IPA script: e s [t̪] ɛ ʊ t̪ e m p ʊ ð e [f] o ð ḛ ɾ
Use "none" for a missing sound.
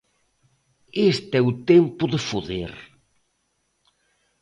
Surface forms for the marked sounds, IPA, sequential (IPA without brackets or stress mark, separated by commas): t̪, f